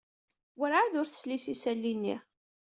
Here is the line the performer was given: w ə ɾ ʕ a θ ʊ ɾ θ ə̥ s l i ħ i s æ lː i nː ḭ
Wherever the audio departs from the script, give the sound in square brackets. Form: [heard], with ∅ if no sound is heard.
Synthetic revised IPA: w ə ɾ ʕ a [ð] ʊ ɾ θ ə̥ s l i [s] i s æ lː i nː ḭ